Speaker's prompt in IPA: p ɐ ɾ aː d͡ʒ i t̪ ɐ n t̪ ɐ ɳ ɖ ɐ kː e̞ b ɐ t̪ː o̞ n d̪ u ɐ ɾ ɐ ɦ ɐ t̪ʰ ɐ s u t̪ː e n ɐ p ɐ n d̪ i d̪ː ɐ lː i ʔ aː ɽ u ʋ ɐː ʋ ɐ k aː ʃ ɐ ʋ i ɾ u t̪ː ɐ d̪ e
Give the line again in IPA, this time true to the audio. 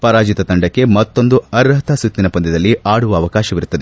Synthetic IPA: p ɐ ɾ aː d͡ʒ i t̪ ɐ t̪ ɐ ɳ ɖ ɐ kː e̞ m ɐ t̪ː o̞ n d̪ u ɐ ɾ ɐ ɦ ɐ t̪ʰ ɐ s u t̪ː i n ɐ p ɐ n d̪ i d̪ ɐ lː i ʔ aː ɽ u ʋ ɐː ʋ ɐ k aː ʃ ɐ ʋ i ɾ u t̪ː ɐ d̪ e